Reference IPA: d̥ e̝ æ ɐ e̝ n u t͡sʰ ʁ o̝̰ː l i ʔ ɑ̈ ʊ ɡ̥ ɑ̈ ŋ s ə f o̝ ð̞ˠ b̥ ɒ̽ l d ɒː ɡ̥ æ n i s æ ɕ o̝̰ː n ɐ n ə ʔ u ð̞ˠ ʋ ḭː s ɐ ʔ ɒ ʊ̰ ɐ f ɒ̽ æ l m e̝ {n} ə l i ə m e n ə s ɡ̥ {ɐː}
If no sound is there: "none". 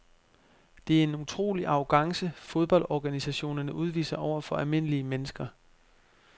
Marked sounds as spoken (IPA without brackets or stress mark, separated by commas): n, ɐ